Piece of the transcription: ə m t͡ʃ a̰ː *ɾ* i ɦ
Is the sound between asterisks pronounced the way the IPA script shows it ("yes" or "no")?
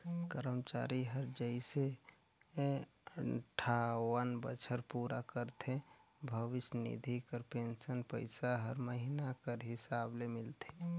yes